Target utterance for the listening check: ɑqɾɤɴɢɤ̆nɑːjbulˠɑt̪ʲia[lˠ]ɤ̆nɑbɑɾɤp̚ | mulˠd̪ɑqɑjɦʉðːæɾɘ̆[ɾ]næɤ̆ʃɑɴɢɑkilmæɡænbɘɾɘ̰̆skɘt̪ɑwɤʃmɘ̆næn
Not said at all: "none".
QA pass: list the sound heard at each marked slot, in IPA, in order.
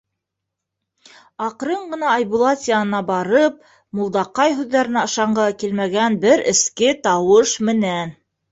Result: none, none

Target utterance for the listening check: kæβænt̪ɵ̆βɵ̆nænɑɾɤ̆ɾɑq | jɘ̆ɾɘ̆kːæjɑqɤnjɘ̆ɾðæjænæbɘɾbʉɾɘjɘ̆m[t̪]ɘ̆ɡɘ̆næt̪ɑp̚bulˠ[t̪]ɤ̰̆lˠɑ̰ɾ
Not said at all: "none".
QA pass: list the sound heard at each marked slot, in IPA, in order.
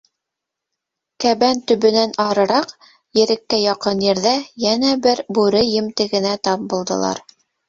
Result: t̪, d̪

